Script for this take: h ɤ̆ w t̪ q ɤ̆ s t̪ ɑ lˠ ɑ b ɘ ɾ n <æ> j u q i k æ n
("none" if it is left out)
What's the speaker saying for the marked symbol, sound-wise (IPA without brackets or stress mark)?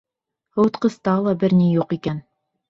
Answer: i